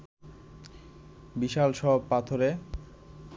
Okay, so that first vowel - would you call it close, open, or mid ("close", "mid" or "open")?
close